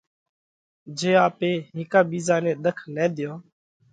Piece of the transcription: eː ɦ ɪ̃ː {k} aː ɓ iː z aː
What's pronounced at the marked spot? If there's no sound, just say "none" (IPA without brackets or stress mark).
k